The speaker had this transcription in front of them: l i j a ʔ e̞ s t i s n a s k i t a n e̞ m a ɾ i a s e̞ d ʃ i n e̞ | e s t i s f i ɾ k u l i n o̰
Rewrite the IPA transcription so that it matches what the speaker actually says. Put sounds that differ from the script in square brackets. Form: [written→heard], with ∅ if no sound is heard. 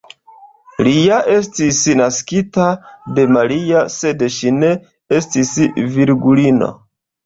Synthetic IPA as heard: l i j a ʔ e̞ s t i s n a s k i t a [n→d] e̞ m a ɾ i a s e̞ d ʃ i n e̞ | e s t i s [f→v] i ɾ [k→ɡ] u l i n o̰